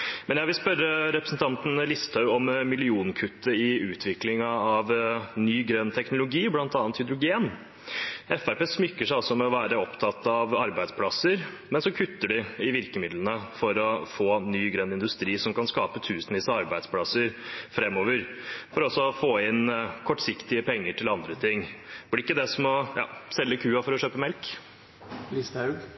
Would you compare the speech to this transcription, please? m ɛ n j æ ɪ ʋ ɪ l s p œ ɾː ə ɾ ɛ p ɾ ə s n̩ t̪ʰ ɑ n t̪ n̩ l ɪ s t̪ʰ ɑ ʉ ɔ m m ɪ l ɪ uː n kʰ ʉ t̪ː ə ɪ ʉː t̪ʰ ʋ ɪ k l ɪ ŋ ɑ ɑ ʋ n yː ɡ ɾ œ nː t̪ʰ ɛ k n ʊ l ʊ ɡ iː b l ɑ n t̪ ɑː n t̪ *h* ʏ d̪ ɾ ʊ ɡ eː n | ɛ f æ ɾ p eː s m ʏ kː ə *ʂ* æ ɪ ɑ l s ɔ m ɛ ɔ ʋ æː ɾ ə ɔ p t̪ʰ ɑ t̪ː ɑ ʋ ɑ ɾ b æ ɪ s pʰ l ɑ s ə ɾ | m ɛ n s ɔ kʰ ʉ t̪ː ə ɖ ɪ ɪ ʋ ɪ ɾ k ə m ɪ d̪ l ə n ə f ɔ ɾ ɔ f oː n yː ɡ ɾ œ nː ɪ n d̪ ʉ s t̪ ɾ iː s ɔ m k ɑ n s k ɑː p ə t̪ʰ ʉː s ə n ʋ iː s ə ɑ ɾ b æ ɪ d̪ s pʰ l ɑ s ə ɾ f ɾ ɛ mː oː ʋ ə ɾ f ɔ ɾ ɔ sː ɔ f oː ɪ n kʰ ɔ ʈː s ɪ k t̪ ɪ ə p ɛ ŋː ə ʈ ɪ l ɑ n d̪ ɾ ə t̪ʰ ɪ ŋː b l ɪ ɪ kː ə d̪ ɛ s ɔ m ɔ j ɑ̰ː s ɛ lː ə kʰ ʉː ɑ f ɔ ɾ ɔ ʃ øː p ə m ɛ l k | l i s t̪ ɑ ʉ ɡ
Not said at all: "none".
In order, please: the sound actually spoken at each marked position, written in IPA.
h, ʂ

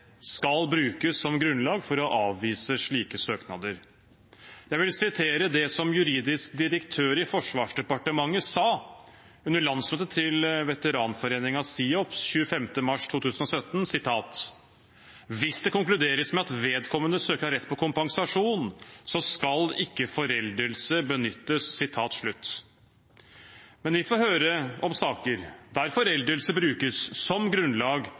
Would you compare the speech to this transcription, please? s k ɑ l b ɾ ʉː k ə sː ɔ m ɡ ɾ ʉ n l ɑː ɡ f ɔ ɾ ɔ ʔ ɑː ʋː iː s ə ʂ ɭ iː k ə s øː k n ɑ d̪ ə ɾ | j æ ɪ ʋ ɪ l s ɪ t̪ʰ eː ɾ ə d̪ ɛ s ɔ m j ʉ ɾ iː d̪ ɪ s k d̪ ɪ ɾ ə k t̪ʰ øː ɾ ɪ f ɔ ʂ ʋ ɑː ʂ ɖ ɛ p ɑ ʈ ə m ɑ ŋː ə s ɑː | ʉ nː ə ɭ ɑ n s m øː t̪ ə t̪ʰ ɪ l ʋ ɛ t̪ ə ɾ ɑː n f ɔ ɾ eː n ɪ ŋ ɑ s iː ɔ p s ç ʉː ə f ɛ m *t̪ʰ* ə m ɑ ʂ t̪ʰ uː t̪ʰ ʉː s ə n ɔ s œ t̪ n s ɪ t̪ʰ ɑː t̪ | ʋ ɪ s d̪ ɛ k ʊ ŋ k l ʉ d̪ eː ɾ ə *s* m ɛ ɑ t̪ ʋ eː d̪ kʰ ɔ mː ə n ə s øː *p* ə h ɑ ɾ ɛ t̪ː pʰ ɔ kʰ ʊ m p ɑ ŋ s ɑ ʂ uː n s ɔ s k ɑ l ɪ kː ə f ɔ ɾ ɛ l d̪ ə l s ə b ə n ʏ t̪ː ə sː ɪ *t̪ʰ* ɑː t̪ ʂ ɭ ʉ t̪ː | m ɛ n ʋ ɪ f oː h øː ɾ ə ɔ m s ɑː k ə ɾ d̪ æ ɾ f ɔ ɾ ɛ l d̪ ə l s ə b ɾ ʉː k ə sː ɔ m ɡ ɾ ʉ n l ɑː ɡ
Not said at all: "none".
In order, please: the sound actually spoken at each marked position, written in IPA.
t̪, s, k, t̪ʰ

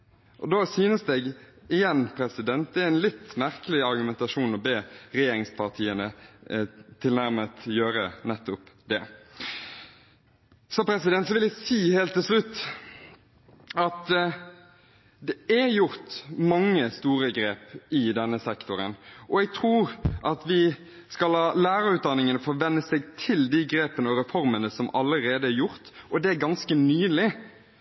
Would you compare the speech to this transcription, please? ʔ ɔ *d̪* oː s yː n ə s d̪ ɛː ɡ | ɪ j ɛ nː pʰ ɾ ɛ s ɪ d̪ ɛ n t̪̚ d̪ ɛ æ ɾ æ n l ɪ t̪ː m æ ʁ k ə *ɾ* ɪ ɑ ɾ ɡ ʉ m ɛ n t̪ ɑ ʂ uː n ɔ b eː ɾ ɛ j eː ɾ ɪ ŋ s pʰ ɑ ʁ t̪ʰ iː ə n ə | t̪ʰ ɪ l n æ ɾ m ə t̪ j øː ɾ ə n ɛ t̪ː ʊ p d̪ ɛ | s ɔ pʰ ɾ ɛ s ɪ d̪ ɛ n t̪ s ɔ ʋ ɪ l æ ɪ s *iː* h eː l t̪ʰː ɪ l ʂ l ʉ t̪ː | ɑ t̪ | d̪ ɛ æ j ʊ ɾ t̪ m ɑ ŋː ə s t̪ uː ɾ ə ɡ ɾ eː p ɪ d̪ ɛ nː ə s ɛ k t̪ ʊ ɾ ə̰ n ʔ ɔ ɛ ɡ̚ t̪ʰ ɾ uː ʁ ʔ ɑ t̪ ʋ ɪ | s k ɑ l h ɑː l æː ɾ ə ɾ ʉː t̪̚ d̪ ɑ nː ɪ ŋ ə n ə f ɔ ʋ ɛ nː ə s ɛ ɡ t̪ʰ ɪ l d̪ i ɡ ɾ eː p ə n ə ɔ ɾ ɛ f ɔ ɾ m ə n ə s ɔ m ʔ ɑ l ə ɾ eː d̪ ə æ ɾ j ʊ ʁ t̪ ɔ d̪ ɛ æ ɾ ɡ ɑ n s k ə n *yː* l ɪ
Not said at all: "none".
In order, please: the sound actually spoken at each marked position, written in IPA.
d̪, l, iː, yː

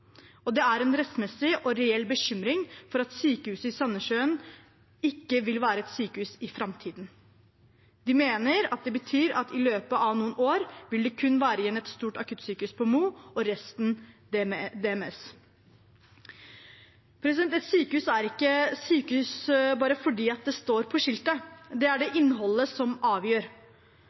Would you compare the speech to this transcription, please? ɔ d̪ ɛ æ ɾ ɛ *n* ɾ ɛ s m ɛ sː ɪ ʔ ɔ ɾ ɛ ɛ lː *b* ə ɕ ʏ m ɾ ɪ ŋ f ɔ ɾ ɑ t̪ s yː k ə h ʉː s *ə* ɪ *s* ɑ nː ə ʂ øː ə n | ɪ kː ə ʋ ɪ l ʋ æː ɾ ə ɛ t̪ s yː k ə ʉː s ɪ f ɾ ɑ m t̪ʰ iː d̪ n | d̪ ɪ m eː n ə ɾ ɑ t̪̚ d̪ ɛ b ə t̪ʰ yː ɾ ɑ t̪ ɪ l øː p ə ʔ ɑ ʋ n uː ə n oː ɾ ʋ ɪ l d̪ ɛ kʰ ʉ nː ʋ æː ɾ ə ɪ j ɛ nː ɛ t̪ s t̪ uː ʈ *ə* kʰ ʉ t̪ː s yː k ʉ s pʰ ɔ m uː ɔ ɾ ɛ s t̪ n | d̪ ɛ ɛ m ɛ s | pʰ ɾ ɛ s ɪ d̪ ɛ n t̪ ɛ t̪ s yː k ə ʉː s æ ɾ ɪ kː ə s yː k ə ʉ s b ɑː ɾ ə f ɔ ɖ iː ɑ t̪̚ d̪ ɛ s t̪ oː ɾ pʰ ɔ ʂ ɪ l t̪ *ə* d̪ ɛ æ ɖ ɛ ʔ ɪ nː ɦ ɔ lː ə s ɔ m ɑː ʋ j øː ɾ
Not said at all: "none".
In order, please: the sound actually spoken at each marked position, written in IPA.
n, b, ə, s, ɑ, ə

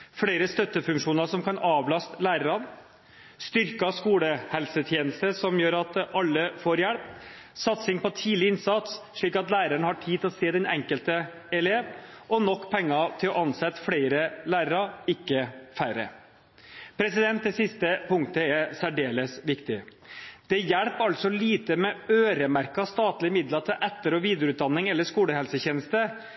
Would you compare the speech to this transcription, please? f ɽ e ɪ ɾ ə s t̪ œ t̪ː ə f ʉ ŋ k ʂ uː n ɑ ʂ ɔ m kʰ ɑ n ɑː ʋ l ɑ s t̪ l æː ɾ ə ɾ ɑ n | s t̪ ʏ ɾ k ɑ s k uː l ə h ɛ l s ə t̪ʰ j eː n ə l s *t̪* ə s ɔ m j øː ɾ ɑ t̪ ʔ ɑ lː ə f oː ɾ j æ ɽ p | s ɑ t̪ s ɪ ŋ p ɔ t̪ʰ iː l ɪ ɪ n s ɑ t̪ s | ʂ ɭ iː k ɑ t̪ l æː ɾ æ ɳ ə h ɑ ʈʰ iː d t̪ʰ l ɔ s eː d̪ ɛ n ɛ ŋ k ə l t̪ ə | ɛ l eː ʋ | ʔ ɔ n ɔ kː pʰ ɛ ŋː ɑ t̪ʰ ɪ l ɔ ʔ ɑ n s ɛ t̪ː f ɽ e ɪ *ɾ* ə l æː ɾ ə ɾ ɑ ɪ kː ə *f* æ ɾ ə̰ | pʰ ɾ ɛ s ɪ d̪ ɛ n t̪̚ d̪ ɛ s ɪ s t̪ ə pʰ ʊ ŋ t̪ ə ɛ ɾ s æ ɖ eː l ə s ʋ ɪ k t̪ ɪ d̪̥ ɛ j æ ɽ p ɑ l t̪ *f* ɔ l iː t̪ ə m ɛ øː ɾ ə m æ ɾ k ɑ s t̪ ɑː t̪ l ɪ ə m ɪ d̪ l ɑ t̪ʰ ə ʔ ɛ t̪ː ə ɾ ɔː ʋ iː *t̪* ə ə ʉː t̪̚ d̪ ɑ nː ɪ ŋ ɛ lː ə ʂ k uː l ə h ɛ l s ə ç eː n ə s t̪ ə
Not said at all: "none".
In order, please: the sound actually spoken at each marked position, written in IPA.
t̪, ɾ, f, s, d̪

